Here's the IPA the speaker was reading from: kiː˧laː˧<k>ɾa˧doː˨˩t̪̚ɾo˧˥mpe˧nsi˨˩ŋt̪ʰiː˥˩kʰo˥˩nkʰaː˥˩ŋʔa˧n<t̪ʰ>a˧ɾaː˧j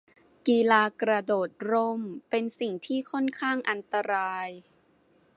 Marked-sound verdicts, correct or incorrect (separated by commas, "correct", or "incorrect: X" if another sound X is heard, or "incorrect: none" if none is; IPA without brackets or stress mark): correct, incorrect: t̪